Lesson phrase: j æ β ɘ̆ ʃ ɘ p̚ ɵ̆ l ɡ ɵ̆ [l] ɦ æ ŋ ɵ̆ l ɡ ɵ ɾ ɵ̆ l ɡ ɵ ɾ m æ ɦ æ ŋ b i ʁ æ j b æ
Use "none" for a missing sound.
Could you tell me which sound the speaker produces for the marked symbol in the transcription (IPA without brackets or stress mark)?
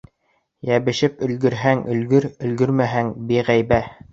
ɾ